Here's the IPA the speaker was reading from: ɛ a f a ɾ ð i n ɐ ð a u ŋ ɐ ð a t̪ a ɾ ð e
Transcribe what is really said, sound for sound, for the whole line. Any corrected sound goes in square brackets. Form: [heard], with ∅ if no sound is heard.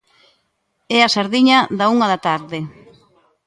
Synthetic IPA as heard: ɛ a [s] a ɾ ð i [ɲ] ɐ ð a u ŋ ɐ ð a t̪ a ɾ ð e